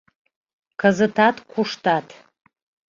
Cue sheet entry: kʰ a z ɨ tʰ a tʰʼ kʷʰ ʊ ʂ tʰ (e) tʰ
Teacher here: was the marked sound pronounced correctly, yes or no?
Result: no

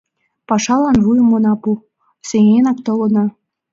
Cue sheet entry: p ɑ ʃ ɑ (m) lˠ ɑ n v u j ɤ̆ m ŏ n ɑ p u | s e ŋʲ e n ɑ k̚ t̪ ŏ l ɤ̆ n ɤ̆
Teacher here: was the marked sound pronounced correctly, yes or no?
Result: no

